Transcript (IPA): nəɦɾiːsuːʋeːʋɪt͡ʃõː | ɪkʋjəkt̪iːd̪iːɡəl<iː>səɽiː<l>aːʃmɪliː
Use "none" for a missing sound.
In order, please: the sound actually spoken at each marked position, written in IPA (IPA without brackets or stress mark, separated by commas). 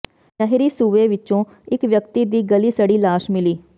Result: iː, l